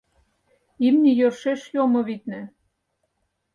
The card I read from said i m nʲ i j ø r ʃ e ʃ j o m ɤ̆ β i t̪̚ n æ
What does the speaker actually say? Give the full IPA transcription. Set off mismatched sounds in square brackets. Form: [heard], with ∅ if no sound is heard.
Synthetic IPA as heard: i m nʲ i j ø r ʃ e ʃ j o m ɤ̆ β i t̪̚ n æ